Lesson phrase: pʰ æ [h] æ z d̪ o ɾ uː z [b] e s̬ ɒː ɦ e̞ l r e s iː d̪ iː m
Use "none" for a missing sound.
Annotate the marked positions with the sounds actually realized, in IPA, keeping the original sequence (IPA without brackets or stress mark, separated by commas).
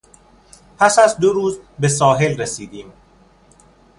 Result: s, b